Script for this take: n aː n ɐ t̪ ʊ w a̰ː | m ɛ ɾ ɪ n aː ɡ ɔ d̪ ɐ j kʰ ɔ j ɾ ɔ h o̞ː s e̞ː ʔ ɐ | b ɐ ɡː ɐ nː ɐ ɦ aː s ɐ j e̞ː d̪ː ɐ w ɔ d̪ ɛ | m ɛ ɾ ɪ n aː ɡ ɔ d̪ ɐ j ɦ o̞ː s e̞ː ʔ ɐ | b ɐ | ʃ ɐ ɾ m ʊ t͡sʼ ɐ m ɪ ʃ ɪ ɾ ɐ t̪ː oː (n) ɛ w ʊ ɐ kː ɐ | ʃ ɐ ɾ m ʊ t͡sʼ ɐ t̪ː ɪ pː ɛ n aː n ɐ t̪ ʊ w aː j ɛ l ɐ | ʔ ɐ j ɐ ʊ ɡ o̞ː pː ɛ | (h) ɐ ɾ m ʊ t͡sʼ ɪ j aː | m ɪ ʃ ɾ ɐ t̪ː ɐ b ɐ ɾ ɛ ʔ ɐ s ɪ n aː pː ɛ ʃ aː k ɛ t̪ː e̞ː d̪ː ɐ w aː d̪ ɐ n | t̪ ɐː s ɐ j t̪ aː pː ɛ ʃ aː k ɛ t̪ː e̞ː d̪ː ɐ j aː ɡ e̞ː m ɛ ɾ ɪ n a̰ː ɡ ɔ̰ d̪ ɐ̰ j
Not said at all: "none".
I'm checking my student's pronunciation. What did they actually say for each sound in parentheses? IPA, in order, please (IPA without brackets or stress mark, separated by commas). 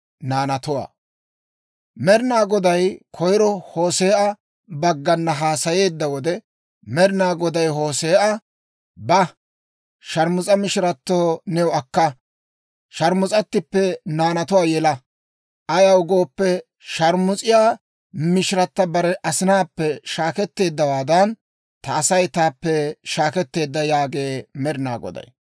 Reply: n, ʃ